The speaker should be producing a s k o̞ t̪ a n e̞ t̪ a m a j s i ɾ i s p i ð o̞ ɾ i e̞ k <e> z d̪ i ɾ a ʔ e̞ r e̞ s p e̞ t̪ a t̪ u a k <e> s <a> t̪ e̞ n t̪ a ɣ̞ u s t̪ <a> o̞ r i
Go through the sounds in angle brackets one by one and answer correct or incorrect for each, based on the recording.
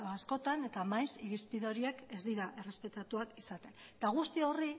correct, incorrect: i, correct, incorrect: i

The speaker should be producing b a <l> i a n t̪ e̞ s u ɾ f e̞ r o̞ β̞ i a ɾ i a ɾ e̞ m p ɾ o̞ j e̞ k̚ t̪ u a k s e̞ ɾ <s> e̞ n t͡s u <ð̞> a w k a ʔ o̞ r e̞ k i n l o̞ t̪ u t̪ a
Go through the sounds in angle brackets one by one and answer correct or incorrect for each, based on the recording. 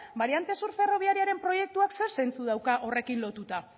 incorrect: ɾ, correct, correct

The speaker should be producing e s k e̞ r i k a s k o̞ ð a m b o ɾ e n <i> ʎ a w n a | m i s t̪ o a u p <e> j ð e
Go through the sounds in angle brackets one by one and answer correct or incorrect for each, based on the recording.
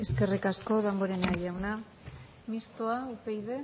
incorrect: a, correct

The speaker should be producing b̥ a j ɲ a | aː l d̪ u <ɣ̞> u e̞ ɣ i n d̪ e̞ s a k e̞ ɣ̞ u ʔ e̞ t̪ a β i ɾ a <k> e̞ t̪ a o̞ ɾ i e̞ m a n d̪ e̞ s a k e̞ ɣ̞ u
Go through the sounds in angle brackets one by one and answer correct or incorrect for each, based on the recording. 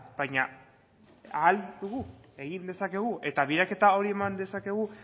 correct, correct

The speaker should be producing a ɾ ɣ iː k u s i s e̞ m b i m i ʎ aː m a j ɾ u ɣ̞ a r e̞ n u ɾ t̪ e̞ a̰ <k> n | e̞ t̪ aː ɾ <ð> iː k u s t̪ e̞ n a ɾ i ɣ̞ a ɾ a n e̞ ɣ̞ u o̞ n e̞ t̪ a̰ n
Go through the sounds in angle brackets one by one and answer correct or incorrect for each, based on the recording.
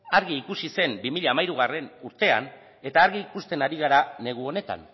incorrect: none, incorrect: ɣ

